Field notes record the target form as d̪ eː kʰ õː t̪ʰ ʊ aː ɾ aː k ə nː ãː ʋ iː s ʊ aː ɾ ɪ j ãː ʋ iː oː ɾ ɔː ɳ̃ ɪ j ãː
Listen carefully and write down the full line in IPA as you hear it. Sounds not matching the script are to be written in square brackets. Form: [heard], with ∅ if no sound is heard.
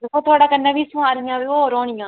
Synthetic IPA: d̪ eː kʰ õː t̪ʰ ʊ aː [ɽ] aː k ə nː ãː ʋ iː s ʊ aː ɾ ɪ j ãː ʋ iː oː ɾ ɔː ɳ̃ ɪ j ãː

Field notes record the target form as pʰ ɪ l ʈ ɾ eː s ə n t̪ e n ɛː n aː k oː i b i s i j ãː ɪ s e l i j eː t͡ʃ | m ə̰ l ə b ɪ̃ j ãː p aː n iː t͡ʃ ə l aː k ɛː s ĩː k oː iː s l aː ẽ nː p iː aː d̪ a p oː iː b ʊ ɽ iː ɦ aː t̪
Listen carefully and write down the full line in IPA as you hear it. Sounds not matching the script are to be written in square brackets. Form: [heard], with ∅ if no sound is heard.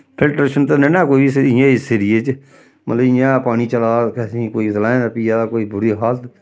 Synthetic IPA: pʰ ɪ l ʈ ɾ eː [ʃ] ə n t̪ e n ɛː n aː k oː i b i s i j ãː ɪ s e [ɾ] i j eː t͡ʃ | m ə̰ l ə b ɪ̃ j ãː p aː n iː t͡ʃ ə l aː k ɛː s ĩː k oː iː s l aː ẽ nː p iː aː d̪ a [k] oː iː b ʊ [ɾ] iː ɦ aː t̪

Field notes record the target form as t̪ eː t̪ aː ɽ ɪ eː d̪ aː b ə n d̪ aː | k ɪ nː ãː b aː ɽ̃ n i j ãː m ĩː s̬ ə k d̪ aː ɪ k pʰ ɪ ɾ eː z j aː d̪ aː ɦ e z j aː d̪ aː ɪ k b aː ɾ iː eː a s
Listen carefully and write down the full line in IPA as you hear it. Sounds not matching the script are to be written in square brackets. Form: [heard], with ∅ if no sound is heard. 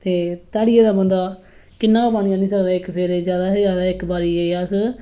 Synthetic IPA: t̪ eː t̪ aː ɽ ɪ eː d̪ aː b ə n d̪ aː | k ɪ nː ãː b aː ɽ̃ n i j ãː [n] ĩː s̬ ə k d̪ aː ɪ k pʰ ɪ ɾ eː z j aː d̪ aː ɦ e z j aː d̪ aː ɪ k b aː ɾ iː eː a s

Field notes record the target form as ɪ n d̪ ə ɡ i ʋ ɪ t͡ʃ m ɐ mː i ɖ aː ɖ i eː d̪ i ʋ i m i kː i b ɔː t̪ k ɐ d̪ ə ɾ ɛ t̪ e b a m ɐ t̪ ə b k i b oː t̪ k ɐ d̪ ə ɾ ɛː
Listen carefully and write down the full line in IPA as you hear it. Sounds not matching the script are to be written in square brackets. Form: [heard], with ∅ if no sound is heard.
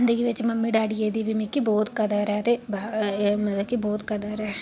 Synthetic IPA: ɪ n d̪ ə ɡ i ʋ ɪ t͡ʃ m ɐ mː i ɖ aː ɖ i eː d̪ i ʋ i m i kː i b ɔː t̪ k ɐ d̪ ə ɾ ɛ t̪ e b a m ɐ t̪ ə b k i b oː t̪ k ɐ d̪ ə ɾ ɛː

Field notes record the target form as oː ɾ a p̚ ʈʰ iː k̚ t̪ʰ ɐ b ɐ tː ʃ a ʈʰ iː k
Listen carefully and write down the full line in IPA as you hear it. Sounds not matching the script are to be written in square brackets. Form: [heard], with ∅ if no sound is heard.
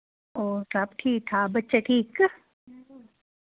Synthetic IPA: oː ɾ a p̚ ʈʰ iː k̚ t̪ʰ [a] b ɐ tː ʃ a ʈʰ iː k

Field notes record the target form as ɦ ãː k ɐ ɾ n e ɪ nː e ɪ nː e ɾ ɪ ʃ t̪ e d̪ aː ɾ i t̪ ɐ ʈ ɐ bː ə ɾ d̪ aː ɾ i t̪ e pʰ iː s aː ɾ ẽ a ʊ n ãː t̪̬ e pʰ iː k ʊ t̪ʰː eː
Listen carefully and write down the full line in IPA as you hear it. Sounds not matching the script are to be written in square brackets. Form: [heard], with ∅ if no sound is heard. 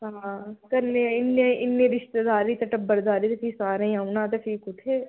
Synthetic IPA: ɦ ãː k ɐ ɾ n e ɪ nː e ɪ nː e ɾ ɪ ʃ t̪ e d̪ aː ɾ i t̪ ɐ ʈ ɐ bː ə ɾ d̪ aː ɾ i t̪ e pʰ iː s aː ɾ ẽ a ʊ n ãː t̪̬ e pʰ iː k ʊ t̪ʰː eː

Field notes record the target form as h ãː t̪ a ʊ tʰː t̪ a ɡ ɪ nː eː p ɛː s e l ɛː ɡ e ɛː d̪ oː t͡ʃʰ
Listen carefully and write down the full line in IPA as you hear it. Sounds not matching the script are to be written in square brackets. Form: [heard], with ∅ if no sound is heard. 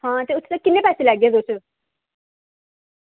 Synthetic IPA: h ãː t̪ [e] ʊ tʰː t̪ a [k] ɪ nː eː p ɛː s e l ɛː ɡ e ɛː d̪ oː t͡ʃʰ

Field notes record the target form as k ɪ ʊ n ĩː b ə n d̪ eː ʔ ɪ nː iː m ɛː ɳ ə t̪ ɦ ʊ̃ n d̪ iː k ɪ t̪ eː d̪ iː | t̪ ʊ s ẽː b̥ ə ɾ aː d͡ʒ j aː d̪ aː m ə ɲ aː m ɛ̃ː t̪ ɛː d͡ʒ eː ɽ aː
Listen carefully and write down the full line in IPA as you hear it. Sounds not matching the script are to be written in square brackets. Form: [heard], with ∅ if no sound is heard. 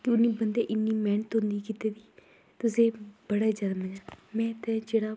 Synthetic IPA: k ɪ ʊ n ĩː b ə n d̪ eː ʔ ɪ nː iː m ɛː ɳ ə t̪ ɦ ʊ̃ n d̪ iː k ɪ t̪ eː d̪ iː | t̪ ʊ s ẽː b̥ ə [ɽ] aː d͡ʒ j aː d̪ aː m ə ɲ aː m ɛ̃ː t̪ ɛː d͡ʒ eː ɽ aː

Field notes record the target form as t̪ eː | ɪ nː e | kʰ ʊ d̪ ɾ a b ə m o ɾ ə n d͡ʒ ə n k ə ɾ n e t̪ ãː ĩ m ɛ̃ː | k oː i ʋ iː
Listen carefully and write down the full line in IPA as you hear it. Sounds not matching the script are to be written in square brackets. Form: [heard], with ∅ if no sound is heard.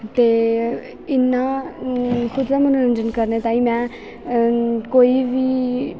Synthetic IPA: t̪ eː | ɪ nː [a] | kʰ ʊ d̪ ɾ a [m] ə [n] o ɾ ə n d͡ʒ ə n k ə ɾ n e t̪ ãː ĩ m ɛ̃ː | k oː i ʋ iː

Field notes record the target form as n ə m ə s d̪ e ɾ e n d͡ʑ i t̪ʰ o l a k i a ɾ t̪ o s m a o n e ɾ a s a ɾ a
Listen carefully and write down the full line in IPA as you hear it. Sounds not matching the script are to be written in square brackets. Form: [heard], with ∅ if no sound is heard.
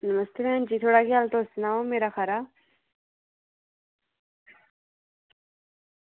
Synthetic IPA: n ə m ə s [t̪] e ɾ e n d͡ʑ i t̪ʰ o [ɽ] a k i a [l] t̪ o s [n] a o [m] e ɾ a [x] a ɾ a

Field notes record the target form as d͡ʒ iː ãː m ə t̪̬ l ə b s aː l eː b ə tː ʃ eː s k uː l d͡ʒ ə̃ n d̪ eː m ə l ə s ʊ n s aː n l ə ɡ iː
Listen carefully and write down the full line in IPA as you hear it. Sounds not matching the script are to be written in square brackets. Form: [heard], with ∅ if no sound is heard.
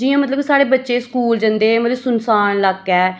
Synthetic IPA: d͡ʒ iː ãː m ə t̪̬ l ə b s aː [ɽ] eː b ə tː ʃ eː s k uː l d͡ʒ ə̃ n d̪ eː m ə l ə s ʊ n s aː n l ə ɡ [ɛː]

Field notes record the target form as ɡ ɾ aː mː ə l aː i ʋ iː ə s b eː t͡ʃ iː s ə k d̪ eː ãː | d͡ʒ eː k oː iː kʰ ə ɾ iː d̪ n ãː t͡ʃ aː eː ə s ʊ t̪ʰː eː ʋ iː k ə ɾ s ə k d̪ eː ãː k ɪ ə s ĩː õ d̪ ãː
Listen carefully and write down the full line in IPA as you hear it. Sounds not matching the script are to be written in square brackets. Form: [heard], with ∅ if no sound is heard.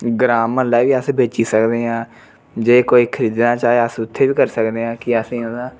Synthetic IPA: ɡ ɾ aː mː ə l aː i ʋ iː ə s b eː t͡ʃ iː s ə k d̪ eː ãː | d͡ʒ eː k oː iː kʰ ə ɾ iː d̪ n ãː t͡ʃ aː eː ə s ʊ t̪ʰː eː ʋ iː k ə ɾ s ə k d̪ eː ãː k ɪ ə s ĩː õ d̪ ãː

